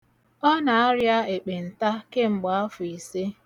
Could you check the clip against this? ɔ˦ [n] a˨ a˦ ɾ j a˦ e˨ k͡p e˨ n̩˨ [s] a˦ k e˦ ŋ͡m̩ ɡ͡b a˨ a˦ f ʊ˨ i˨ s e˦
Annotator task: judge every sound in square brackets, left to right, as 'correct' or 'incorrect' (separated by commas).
correct, incorrect